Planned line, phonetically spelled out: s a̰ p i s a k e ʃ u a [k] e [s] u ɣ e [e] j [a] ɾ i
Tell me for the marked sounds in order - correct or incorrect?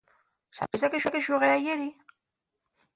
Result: correct, incorrect, incorrect, incorrect

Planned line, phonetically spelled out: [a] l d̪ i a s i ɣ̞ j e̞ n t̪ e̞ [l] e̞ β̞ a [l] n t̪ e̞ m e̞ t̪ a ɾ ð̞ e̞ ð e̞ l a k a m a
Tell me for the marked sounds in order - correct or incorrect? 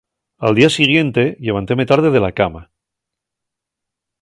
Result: correct, incorrect, incorrect

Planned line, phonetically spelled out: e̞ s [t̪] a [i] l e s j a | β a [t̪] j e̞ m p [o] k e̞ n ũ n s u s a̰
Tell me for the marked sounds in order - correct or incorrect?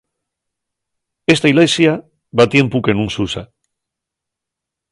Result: correct, correct, correct, incorrect

